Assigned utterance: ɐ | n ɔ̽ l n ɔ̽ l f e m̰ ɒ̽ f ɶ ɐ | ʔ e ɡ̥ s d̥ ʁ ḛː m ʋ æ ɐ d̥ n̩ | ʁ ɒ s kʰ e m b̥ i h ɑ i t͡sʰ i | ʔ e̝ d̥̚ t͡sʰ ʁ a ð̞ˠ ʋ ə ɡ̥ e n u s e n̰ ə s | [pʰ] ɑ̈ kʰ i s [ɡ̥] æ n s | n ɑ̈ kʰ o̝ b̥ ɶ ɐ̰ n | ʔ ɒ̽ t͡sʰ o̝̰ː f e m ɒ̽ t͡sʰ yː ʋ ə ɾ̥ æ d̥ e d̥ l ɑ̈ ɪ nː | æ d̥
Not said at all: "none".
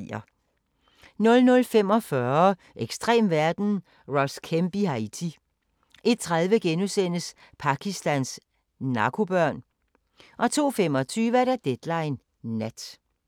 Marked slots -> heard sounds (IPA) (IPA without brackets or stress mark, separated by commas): pʰ, d̥